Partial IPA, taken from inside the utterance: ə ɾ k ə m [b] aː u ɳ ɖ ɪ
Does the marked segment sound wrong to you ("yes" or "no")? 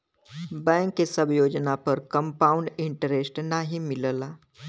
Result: yes